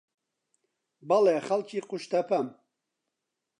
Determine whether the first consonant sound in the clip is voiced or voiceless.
voiced